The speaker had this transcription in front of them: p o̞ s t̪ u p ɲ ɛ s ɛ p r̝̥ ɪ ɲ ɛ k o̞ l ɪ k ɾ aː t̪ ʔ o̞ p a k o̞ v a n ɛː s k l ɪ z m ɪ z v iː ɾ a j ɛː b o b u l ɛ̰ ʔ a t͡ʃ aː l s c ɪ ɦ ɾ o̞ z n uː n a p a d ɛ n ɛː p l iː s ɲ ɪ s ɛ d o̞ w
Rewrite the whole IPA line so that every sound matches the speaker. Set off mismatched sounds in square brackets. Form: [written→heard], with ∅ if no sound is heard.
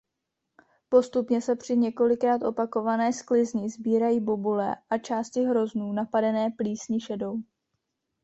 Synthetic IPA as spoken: p o̞ s t̪ u p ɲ ɛ s ɛ p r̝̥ ɪ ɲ ɛ k o̞ l ɪ k ɾ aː t̪ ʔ o̞ p a k o̞ v a n ɛː s k l ɪ z [m→ɲ] ɪ z [v→b] iː ɾ a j [ɛː→iː] b o b u l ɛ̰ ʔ a t͡ʃ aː [l→∅] s c ɪ ɦ ɾ o̞ z n uː n a p a d ɛ n ɛː p l iː s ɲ ɪ [s→ʃ] ɛ d o̞ w

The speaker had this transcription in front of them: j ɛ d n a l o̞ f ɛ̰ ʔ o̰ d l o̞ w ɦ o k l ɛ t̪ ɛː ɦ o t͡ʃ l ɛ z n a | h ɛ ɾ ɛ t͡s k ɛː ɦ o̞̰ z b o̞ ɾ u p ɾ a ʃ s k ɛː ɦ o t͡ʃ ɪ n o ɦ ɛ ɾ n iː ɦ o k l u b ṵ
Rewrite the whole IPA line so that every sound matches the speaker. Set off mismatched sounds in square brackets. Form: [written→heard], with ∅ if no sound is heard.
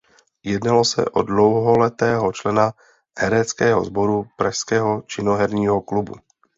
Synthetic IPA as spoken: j ɛ d n a l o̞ [f→s] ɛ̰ ʔ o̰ d l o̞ w ɦ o [k→∅] l ɛ t̪ ɛː ɦ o t͡ʃ l ɛ [z→∅] n a | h ɛ ɾ ɛ t͡s k ɛː ɦ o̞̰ z b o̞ ɾ u p ɾ a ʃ s k ɛː ɦ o t͡ʃ ɪ n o ɦ ɛ ɾ [n→ɲ] iː ɦ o k l u b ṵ

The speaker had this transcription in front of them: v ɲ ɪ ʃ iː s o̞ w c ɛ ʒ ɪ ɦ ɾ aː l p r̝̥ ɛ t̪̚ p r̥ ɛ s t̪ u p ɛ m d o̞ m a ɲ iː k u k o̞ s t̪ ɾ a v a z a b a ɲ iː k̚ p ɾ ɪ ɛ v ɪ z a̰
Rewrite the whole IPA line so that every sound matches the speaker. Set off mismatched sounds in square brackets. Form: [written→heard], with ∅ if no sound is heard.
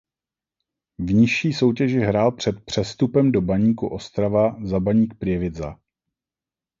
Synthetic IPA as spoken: v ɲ ɪ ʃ iː s o̞ w c ɛ ʒ ɪ ɦ ɾ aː l p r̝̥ ɛ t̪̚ p r̥ ɛ s t̪ u p ɛ m d o̞ [m→b] a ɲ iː k u [k→ʔ] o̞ s t̪ ɾ a v a z a b a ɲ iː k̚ p ɾ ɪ ɛ v ɪ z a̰

